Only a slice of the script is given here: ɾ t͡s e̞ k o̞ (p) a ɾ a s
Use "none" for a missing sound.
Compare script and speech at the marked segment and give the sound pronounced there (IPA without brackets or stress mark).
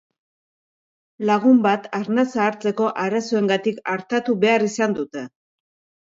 ʔ